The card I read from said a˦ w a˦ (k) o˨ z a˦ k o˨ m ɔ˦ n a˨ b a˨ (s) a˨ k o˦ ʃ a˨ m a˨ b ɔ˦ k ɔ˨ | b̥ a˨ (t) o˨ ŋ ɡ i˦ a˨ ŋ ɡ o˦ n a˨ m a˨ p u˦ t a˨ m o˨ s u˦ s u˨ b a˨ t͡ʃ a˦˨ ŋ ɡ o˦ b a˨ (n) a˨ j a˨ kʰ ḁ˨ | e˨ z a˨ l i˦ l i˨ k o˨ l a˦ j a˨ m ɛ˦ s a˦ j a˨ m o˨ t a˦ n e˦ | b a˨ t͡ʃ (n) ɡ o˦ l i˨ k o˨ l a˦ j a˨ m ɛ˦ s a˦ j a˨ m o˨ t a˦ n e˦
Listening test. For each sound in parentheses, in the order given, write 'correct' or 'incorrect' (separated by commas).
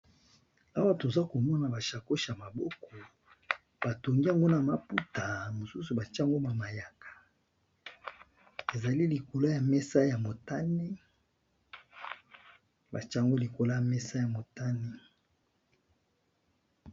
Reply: incorrect, incorrect, correct, incorrect, incorrect